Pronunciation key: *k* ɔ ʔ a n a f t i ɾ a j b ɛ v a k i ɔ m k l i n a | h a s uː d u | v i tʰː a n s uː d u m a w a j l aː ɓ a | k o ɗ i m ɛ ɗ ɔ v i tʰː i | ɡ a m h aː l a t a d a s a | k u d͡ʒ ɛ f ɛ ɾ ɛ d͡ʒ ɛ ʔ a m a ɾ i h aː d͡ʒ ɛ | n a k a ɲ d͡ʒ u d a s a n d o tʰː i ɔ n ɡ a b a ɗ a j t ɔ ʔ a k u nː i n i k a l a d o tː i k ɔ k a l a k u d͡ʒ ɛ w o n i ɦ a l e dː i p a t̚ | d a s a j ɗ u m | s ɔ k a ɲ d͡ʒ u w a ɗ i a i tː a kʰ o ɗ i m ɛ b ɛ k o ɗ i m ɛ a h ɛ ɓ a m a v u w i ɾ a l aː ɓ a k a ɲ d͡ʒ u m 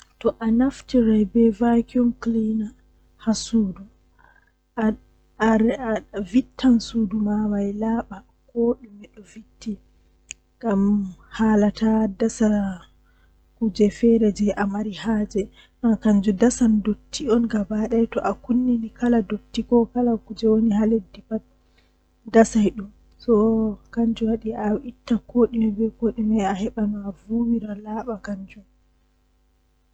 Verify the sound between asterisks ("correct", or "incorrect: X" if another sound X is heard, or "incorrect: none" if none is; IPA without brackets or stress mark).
incorrect: t